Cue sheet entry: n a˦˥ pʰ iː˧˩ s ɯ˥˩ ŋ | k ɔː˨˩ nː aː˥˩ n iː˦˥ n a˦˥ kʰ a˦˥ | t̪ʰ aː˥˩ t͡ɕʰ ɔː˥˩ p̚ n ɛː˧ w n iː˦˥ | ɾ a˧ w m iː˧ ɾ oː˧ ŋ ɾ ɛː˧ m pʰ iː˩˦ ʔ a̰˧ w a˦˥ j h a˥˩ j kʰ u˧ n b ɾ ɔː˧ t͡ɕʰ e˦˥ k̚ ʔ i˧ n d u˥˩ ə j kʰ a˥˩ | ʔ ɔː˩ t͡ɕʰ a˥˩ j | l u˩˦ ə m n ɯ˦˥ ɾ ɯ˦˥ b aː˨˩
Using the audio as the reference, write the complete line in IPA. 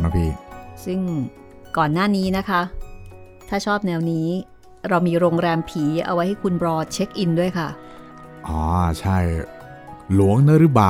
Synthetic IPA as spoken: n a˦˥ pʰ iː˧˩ s ɯ˥˩ ŋ | k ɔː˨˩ nː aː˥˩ n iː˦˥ n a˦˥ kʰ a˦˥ | t̪ʰ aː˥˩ t͡ɕʰ ɔː˥˩ p̚ n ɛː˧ w n iː˦˥ | ɾ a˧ w m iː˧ ɾ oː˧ ŋ ɾ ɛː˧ m pʰ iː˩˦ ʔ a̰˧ w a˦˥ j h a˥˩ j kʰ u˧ n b ɾ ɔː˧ t͡ɕʰ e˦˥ k̚ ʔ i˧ n d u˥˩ ə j kʰ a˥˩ | ʔ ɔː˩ t͡ɕʰ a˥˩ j | l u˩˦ ə ŋ n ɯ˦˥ ɾ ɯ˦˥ b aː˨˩